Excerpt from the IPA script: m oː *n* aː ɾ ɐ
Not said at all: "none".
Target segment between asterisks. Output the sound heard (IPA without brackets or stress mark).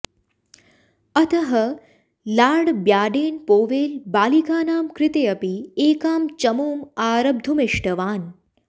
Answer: m